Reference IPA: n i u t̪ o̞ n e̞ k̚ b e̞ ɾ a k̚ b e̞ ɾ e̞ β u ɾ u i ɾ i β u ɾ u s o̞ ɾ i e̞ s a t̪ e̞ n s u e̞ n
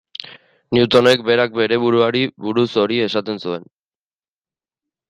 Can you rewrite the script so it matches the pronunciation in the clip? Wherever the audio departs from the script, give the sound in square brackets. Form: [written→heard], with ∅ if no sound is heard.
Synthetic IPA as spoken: n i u t̪ o̞ n e̞ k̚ b e̞ ɾ a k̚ b e̞ ɾ e̞ β u ɾ u [i→a] ɾ i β u ɾ u s o̞ ɾ i e̞ s a t̪ e̞ n s u e̞ n